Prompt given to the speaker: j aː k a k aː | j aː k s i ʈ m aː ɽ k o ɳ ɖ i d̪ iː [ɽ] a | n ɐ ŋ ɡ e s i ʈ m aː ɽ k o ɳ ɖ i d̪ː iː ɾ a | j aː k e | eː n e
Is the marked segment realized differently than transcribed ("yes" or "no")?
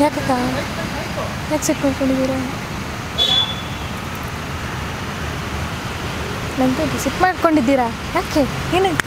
yes